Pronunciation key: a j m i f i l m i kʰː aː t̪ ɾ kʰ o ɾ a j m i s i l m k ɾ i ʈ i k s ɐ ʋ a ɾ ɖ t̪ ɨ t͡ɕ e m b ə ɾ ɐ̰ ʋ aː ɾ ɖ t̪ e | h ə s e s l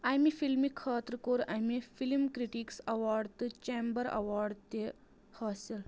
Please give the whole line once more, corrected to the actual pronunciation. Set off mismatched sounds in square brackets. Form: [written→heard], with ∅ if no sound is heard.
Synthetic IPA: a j m i f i l m i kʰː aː t̪ ɾ [kʰ→k] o ɾ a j m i [s→f] i l m k ɾ i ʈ i k s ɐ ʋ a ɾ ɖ t̪ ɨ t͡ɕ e m b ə ɾ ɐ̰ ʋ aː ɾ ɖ t̪ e | h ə s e [s→∅] l